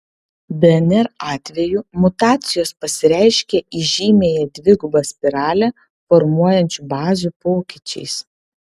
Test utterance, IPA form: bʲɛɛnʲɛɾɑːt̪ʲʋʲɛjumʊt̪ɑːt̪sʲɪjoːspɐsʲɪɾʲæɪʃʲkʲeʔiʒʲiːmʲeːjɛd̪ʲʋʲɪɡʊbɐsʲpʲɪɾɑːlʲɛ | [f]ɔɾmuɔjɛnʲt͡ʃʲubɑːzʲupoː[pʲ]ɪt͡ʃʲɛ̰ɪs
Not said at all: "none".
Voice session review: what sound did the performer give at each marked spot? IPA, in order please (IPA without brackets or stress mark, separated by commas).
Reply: f, kʲ